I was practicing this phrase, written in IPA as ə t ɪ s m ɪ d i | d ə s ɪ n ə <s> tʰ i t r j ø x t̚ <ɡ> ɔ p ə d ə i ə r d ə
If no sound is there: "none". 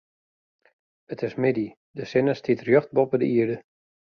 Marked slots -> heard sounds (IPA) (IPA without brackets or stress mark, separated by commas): s, b